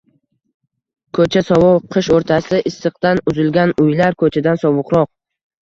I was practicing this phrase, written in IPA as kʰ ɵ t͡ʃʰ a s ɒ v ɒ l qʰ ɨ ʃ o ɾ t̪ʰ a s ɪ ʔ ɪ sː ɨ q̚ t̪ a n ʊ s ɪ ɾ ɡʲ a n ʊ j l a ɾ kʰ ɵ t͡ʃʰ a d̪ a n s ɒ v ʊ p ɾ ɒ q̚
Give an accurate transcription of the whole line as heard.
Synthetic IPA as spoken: kʰ ɵ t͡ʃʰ a s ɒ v ɒ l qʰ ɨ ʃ o ɾ t̪ʰ a s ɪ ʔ ɪ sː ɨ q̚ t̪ a n ʊ z ɪ l ɡʲ a n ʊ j l a ɾ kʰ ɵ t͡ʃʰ a d̪ a n s ɒ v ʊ q ɾ ɒ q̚

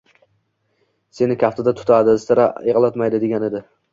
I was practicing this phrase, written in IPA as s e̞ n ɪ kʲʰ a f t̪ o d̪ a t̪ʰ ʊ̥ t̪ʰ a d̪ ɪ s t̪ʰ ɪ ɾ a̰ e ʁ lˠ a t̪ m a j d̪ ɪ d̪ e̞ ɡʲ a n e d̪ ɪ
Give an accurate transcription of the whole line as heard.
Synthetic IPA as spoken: s e̞ n ɪ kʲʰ a f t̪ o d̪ a t̪ʰ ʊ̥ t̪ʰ a d̪ ɪ s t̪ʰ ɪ ɾ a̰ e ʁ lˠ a t̪ m a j d̪ ɪ d̪ e̞ ɡʲ a n e d̪ ɪ

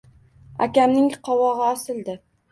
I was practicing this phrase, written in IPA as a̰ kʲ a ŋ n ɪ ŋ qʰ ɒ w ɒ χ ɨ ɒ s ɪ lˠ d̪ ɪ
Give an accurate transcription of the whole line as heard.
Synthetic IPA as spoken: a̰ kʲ a m n ɪ ŋ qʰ ɒ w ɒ ʁ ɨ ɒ s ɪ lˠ d̪ ɪ

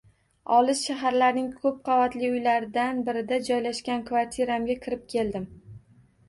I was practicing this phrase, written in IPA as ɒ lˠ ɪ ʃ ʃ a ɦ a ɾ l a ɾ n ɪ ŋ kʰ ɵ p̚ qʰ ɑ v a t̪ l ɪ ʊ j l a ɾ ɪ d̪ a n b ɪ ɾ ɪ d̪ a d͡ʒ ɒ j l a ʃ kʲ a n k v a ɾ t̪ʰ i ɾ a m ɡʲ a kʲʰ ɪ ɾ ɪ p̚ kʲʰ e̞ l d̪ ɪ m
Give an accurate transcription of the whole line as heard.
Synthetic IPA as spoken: ɒ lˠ ɪ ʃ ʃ a ɦ a ɾ l a ɾ n ɪ ŋ kʰ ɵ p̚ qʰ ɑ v a t̪ l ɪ ʊ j l a ɾ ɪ d̪ a n b ɪ ɾ ɪ d̪ a d͡ʒ ɒ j l a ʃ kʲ a n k v a ɾ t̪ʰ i ɾ a m ɡʲ a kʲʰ ɪ ɾ ɪ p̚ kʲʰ e̞ l d̪ ɪ m

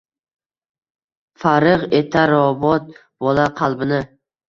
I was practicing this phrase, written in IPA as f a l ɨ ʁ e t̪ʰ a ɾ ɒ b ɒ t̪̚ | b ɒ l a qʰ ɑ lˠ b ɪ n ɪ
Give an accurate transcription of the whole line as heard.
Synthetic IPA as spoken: f a ɾ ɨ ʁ e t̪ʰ a ɾ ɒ b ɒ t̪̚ | b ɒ l a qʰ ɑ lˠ b ɪ n ɪ

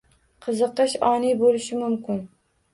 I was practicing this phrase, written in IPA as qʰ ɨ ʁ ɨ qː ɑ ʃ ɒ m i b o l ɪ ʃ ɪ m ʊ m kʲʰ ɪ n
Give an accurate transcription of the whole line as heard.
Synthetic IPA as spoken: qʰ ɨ z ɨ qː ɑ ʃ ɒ n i b o l ɪ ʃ ɪ m ʊ m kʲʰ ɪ n

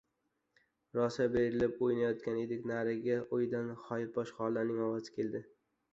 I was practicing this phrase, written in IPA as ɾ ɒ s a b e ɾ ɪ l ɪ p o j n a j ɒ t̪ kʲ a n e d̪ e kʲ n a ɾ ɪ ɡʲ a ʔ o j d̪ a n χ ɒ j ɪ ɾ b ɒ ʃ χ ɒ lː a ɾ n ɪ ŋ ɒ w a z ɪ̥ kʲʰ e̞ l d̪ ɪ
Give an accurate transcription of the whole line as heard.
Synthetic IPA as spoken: ɾ ɒ s a b e ɾ ɪ l ɪ p o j n a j ɒ t̪ kʲ a n e d̪ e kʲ n a ɾ ɪ ɡʲ a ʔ o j d̪ a n χ ɒ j ɪ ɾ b ɒ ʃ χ ɒ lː a ɾ n ɪ ŋ ɒ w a z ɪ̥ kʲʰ e̞ l d̪ ɪ

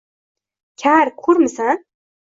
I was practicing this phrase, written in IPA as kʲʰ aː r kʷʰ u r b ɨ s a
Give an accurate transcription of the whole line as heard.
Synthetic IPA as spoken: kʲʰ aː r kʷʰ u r m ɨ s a

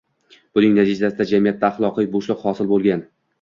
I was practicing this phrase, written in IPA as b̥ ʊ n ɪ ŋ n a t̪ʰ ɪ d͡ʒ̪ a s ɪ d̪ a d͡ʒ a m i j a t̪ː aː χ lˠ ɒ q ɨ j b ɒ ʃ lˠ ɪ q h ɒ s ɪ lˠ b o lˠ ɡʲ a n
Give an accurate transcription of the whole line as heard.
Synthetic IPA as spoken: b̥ ʊ n ɪ ŋ n a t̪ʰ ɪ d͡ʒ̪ a s ɪ d̪ a d͡ʒ a m i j a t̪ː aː χ lˠ ɒ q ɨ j b o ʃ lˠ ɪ q h ɒ s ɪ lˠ b o lˠ ɡʲ a n

